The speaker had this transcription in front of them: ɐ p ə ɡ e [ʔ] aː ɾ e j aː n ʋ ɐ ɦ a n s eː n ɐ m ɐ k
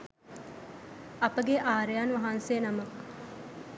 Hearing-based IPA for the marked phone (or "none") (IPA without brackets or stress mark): ʔ